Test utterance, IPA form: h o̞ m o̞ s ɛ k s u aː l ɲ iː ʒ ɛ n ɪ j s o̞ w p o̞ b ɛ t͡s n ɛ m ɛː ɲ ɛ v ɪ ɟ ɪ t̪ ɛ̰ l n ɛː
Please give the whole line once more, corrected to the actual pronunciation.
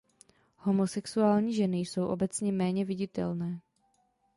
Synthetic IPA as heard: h o̞ m o̞ s ɛ k s u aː l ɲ iː ʒ ɛ n ɪ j s o̞ w ʔ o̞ b ɛ t͡s ɲ ɛ m ɛː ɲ ɛ v ɪ ɟ ɪ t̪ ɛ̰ l n ɛː